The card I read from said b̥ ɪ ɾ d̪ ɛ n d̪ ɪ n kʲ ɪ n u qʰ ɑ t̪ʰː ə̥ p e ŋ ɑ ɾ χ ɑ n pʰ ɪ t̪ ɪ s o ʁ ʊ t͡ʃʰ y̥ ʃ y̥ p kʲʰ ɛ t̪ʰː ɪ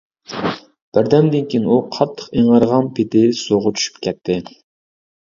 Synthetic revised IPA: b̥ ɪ ɾ d̪ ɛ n d̪ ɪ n kʲ i n u qʰ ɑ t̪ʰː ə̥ q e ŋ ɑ ɾ ʁ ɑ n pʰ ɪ t̪ ɪ s o ʁ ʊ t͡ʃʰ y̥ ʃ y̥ p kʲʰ ɛ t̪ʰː ɪ